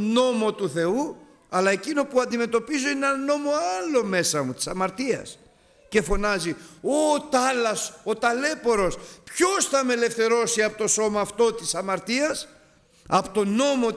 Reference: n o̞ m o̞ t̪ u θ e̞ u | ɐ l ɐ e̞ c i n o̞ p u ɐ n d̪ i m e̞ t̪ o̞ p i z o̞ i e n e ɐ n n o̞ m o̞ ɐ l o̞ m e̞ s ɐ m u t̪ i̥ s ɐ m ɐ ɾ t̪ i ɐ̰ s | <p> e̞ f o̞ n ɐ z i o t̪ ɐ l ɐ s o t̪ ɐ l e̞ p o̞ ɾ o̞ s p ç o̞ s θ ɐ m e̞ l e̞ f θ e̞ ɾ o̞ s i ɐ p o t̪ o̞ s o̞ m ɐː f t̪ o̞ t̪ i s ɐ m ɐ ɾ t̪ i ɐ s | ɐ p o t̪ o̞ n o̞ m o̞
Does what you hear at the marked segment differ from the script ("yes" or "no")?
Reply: yes